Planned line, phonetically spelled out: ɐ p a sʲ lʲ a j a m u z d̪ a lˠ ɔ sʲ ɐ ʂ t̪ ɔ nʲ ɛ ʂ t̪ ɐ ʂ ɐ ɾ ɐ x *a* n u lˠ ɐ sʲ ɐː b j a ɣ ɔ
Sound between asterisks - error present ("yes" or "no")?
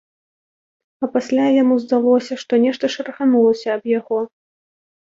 no